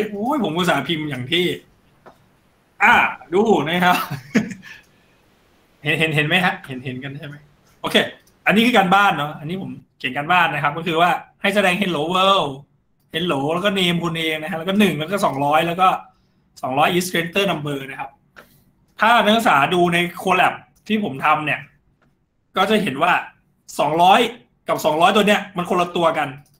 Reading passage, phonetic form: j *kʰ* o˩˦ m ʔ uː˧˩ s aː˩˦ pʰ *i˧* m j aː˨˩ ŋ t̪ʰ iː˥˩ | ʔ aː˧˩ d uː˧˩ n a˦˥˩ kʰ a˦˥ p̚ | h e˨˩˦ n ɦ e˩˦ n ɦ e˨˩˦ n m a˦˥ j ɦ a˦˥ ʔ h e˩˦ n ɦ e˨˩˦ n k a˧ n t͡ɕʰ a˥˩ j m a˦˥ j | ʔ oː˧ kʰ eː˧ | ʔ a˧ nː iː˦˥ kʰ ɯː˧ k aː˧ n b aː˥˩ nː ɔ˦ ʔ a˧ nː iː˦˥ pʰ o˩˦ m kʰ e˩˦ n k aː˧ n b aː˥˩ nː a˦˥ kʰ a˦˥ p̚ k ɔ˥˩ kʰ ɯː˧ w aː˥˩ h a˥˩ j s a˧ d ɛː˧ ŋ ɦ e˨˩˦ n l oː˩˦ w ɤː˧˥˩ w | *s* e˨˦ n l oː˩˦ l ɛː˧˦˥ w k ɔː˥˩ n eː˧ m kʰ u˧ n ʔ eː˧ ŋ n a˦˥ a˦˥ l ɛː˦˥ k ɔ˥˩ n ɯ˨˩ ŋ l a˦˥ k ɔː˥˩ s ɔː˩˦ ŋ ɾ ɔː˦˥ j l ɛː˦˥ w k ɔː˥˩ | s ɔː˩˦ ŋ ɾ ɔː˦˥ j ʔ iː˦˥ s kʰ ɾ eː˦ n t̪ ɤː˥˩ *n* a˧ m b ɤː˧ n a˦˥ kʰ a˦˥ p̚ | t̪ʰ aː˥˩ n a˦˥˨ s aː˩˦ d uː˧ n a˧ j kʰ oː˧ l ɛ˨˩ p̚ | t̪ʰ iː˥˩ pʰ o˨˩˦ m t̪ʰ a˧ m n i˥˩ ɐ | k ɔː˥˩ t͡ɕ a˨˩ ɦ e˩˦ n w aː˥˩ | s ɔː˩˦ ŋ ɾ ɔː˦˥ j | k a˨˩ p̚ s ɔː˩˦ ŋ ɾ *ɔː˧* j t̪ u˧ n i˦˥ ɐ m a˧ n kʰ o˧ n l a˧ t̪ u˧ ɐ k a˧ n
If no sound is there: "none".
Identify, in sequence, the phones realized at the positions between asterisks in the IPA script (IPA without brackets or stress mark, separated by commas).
pʰ, i˧, h, n, ɔː˦˥